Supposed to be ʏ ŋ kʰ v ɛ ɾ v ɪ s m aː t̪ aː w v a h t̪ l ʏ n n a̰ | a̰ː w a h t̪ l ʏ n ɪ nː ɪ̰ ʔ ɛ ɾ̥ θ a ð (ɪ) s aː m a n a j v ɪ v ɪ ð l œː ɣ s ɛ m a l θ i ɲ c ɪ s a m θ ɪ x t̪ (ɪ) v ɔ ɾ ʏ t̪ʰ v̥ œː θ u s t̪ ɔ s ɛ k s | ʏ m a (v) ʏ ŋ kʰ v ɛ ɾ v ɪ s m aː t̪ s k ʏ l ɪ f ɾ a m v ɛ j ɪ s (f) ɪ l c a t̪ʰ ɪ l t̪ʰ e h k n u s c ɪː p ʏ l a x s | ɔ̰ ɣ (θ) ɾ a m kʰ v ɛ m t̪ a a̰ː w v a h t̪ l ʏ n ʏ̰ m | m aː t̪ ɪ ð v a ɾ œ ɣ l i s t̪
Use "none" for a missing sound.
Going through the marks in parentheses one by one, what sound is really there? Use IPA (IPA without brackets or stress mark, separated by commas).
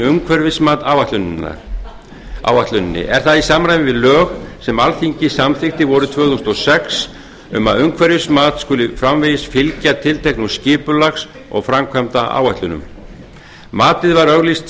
i, ɪ, ð, f, f